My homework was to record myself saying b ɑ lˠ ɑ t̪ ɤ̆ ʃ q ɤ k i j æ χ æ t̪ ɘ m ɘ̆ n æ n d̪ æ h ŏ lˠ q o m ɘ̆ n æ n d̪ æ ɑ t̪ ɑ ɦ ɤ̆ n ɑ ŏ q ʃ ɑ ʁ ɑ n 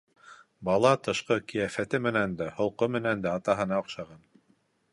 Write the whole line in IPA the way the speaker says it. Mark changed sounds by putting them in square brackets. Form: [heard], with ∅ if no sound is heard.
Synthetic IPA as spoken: b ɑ lˠ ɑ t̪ ɤ̆ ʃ q ɤ k i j æ [f] æ t̪ ɘ m ɘ̆ n æ n d̪ æ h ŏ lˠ q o m ɘ̆ n æ n d̪ æ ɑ t̪ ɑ ɦ ɤ̆ n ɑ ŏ q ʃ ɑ ʁ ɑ n